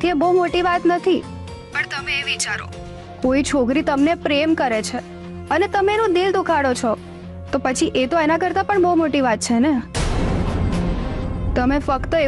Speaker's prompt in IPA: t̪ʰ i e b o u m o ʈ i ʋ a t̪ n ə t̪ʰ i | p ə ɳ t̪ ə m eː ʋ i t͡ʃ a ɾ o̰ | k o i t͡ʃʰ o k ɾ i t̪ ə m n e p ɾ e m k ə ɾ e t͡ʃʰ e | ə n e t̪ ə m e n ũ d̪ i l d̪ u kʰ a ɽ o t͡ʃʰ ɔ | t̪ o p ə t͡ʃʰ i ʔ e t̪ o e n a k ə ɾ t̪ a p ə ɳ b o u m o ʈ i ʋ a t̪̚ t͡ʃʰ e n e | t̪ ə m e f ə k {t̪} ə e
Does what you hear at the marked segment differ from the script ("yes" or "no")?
no